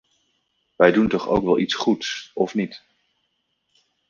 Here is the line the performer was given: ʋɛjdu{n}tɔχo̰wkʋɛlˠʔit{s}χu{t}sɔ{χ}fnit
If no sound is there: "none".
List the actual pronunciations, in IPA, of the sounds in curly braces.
n, s, t, none

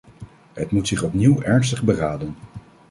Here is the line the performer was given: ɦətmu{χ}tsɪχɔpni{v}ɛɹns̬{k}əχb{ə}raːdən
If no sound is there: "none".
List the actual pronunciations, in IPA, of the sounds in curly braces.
none, w, t, ə

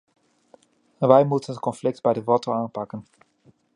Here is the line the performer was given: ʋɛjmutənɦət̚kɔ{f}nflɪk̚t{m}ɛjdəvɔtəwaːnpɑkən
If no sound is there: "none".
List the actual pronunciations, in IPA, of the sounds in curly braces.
none, b

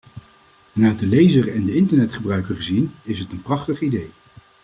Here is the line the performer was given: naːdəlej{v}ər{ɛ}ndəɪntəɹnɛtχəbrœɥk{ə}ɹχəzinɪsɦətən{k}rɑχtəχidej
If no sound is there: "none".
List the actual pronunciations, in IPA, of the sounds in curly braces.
z, ɛ, ə, p

